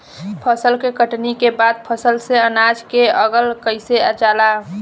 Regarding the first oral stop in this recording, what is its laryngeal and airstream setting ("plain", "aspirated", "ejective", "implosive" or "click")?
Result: aspirated